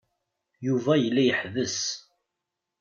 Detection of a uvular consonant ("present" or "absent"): absent